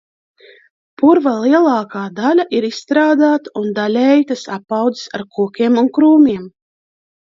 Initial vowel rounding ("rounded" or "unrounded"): rounded